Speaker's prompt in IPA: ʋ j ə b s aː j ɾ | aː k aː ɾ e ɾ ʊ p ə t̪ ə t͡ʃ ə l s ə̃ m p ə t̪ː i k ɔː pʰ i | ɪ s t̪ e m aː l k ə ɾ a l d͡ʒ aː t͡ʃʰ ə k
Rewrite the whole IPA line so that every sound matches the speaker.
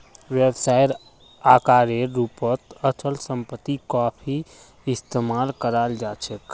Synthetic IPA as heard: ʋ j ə b s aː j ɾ | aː k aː ɾ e ɾ u p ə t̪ ə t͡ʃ ə l s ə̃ m p ə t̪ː i k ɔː pʰ i | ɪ s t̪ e m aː l k ə ɾ a l d͡ʒ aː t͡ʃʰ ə k